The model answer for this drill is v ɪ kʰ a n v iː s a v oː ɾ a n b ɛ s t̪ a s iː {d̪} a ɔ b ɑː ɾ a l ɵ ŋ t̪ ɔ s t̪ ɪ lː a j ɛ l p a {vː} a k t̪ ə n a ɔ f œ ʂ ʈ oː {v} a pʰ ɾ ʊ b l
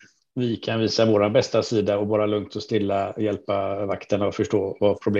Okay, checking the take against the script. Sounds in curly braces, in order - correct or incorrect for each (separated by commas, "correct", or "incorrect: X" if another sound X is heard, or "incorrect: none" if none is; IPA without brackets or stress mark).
correct, incorrect: v, correct